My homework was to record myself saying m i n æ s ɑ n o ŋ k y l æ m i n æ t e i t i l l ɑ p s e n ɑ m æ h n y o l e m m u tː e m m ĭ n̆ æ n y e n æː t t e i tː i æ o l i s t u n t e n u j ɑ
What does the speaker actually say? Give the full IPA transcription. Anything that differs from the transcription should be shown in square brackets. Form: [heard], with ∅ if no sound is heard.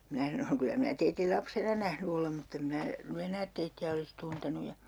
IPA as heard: m i n æ s ɑ n o ŋ k y l æ m i n æ t e i t i l l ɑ p s e n ɑ [n] æ h n y o l e m m u tː e m m ĭ n̆ æ n y e n æː t t e i tː i æ o l i s t u n t e n u j ɑ